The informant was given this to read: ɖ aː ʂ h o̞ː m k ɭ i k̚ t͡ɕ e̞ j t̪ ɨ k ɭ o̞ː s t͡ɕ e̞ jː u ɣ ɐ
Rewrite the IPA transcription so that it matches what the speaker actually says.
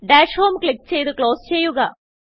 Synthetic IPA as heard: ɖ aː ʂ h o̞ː m k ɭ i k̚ t͡ɕ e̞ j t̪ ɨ k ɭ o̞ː s t͡ɕ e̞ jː u ɣ ɐ

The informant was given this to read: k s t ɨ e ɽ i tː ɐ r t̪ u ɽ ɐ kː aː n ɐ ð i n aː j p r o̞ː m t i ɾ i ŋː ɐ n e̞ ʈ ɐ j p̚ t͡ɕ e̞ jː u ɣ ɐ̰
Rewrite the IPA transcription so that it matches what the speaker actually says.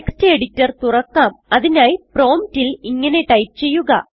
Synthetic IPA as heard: k s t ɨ e ɽ i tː ɐ r t̪ u r ɐ kː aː m ɐ ð i n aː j p r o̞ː m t i l i ŋː ɐ n e̞ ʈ ɐ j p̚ t͡ɕ e̞ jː u ɣ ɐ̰

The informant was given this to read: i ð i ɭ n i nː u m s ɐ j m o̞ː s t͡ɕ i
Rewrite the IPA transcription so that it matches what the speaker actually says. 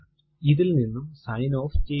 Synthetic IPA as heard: i ð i l n i nː u m s ɐ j n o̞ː f t͡ɕ e

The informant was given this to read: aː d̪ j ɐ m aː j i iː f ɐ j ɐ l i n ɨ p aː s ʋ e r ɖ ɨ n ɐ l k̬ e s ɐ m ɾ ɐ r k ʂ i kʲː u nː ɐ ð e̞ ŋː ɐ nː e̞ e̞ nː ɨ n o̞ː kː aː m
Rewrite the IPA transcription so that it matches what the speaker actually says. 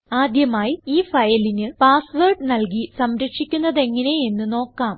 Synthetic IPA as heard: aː d̪ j ɐ m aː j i iː f ɐ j ɐ l i n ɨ p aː s ʋ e r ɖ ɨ n ɐ l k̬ i s ɐ m ɾ ɐ k ʂ i kʲː u nː ɐ ð e̞ ŋː ɐ n e̞ e̞ nː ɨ n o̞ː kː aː m

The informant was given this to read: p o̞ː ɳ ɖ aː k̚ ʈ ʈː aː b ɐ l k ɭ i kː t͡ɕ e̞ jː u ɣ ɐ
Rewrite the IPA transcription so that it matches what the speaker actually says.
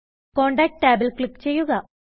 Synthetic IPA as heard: k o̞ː ɳ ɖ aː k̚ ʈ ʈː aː b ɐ l k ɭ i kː t͡ɕ e̞ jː u ɣ ɐ

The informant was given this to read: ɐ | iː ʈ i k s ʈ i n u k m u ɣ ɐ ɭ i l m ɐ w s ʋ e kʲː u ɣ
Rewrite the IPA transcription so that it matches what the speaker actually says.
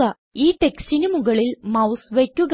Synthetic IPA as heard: ɐ | iː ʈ e k s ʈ i n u m u ɣ ɐ ɭ i l m ɐ w s ʋ e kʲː u ɣ

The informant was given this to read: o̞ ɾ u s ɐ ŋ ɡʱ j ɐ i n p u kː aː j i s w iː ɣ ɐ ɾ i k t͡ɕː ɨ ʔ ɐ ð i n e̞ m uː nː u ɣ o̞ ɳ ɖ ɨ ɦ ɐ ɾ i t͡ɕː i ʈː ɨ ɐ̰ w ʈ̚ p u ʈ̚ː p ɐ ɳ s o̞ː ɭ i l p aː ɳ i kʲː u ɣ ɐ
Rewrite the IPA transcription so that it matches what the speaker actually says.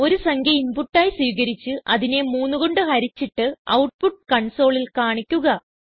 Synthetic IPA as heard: o̞ ɾ u s ɐ ŋ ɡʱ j ɐ i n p u ʈː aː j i s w iː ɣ ɐ ɾ i t͡ɕː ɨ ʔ ɐ ð i n e̞ m uː nː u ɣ o̞ ɳ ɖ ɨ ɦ ɐ ɾ i t͡ɕː i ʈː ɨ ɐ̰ w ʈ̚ p u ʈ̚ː k ɐ ɳ s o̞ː ɭ i l k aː ɳ i kʲː u ɣ ɐ

